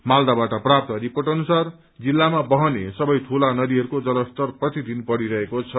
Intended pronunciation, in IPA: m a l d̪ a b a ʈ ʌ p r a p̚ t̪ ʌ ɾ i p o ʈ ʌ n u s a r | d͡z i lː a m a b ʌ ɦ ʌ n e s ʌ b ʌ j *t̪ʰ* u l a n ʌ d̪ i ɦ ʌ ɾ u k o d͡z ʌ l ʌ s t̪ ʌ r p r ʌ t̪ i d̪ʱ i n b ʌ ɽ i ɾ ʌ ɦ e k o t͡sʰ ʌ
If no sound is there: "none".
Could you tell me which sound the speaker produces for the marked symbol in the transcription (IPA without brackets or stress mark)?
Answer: t̪ʰ